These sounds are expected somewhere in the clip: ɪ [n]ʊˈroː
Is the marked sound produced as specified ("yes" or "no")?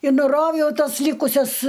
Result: yes